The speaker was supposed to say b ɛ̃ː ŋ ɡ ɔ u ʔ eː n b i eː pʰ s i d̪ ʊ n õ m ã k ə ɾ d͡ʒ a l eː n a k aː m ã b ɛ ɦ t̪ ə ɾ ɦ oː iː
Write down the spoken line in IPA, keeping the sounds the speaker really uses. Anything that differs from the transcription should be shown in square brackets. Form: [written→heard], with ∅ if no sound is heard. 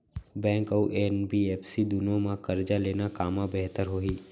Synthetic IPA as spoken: b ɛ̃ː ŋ [ɡ→k] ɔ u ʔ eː n b i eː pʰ s i d̪ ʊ n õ m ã k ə ɾ d͡ʒ a l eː n a k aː m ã b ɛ ɦ t̪ ə ɾ ɦ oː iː